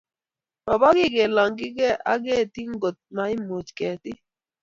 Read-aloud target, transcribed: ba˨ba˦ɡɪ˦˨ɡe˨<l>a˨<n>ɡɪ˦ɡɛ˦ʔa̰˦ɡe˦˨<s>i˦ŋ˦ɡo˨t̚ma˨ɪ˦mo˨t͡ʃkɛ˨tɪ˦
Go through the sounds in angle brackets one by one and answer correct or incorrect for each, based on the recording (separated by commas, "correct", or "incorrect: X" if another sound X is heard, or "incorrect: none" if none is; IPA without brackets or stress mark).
correct, incorrect: ŋ, incorrect: t